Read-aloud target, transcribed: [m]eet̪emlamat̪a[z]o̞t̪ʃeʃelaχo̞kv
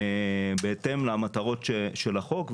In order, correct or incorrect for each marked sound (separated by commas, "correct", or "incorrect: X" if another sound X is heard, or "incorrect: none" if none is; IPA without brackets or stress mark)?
incorrect: b, incorrect: ʁ